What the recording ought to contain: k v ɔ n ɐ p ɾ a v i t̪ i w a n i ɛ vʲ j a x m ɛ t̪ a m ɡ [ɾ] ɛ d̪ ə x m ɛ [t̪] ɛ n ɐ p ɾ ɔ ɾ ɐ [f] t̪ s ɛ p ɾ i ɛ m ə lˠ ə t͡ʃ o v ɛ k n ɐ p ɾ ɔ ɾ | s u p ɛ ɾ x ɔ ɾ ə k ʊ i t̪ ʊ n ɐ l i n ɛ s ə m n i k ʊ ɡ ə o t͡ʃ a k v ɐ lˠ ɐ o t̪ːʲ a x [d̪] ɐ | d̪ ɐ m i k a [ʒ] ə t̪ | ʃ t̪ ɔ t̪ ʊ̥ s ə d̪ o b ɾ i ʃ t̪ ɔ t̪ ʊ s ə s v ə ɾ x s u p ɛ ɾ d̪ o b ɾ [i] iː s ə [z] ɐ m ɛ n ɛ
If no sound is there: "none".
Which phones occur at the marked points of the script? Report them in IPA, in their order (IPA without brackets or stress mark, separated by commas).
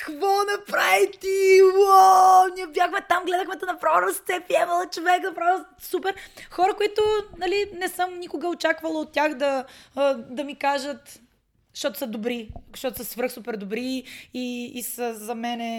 l, t̪, s, d̪, ʒ, i, z